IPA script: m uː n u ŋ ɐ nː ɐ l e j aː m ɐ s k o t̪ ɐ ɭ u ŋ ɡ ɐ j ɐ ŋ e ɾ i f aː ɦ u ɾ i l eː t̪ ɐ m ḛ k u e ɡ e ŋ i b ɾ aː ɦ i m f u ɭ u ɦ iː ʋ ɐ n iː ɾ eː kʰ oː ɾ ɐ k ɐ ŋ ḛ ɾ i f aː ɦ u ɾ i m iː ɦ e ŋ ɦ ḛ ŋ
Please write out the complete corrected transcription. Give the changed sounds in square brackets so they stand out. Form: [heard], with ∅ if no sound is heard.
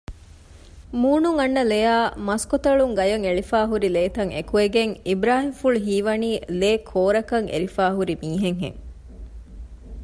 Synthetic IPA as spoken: m uː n u ŋ ɐ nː ɐ l e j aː m ɐ s k o t̪ ɐ ɭ u ŋ ɡ ɐ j ɐ ŋ e [ɭ] i f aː ɦ u ɾ i l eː t̪ ɐ [ŋ] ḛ k u e ɡ e ŋ i b ɾ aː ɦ i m f u ɭ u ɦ iː ʋ ɐ n iː [l] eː kʰ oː ɾ ɐ k ɐ ŋ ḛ ɾ i f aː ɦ u ɾ i m iː ɦ e ŋ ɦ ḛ ŋ